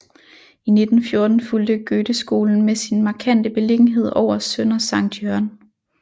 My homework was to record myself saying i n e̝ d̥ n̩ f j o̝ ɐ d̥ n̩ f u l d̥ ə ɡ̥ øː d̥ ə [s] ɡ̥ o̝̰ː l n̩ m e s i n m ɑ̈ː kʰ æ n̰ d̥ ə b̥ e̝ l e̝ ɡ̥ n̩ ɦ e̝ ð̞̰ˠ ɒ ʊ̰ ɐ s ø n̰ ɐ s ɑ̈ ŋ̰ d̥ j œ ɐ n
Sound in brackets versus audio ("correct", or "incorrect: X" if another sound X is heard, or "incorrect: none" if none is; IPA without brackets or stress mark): correct